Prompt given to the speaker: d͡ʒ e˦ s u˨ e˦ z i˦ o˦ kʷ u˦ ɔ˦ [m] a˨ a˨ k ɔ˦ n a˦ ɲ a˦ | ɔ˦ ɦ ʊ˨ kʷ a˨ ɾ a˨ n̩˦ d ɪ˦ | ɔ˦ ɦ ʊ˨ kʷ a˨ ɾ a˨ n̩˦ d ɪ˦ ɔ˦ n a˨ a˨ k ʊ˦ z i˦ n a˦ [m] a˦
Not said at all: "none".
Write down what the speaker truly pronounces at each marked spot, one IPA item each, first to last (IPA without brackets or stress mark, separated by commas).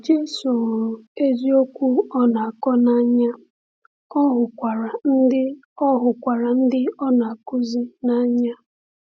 n, ɲ